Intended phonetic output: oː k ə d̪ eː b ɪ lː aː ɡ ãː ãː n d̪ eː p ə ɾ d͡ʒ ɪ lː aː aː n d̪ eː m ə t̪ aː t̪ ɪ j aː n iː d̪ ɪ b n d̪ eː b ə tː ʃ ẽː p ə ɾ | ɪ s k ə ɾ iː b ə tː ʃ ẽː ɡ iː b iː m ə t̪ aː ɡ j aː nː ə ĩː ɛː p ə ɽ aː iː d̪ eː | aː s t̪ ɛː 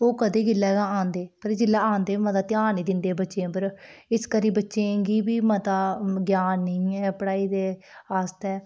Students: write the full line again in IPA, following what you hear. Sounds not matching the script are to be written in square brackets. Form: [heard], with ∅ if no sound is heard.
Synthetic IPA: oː k ə d̪ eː [ɡ] ɪ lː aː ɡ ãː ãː n d̪ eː p ə ɾ d͡ʒ ɪ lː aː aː n d̪ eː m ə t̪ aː t̪ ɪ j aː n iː d̪ ɪ [∅] n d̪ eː b ə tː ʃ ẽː p ə ɾ | ɪ s k ə ɾ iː b ə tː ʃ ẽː ɡ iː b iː m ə t̪ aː ɡ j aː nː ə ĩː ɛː p ə ɽ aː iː d̪ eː | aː s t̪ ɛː